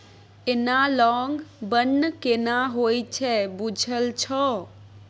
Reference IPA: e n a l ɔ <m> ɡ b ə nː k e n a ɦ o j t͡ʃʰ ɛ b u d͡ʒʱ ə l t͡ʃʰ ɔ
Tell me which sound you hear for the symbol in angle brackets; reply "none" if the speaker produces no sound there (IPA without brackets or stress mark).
ŋ